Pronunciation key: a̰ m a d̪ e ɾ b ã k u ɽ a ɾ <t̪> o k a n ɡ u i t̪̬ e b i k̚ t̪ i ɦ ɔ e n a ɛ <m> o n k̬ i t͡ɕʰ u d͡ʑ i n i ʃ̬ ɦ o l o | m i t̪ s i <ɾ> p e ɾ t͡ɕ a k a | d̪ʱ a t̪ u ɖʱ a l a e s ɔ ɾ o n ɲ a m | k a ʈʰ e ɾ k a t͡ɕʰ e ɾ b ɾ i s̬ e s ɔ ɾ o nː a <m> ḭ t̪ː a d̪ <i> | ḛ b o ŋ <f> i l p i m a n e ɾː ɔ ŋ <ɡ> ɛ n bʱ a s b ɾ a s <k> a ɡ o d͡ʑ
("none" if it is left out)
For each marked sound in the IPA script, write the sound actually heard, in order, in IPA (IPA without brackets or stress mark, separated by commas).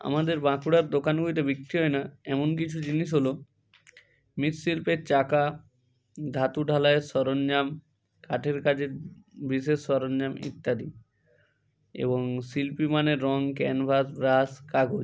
d̪, m, l, m, i, s, k, k